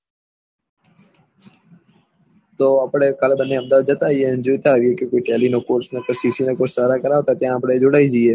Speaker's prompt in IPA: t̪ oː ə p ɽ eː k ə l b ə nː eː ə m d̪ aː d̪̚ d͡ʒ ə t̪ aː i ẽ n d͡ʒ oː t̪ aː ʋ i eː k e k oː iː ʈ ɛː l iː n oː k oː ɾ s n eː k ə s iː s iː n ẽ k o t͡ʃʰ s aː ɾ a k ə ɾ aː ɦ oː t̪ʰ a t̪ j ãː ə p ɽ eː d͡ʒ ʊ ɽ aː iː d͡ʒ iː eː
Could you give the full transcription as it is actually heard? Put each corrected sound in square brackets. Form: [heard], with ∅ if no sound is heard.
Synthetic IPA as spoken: t̪ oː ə p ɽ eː k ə l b ə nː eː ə m d̪ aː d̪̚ d͡ʒ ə t̪ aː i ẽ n d͡ʒ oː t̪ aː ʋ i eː k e k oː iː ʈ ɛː l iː n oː k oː ɾ s n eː k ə s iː s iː n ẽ k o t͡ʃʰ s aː ɾ a k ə ɾ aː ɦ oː [t̪] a t̪ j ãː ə p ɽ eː d͡ʒ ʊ ɽ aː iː d͡ʒ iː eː